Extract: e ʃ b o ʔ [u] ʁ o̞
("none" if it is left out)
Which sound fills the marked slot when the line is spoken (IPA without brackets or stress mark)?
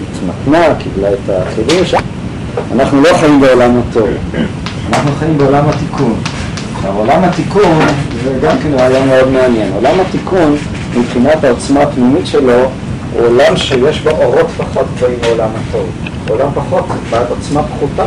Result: o